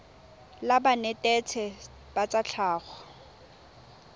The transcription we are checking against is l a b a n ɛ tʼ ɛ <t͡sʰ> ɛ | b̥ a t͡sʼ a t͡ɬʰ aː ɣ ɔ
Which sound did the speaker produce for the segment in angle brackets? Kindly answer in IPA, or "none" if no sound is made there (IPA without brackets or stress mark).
t͡sʰ